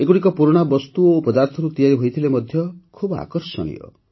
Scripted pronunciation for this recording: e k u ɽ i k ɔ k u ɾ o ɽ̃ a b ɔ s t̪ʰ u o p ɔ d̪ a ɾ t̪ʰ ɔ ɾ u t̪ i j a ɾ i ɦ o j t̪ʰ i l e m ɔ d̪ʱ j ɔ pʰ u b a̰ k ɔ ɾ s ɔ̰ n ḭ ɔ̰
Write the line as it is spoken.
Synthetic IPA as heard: e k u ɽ i k ɔ p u ɾ o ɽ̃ a b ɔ s t̪ u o p ɔ d̪ a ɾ t̪ʰ ɔ ɾ u t̪ i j a ɾ i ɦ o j t̪ʰ i l e m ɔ d̪ʱ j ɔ kʰ u b a̰ k ɔ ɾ s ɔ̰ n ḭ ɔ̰